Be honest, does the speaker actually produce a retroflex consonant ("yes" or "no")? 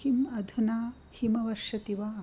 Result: no